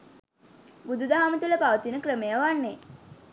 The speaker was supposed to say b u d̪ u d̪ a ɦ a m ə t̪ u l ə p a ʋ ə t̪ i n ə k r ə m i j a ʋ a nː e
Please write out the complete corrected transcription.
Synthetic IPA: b u d̪ u d̪ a ɦ a m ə t̪ u l ə p a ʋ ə t̪ i n ə k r ə m e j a ʋ a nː e